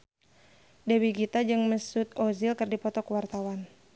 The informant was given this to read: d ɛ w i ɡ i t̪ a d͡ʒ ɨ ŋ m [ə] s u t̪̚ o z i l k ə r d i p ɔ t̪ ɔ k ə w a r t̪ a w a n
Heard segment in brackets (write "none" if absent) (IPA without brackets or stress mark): ə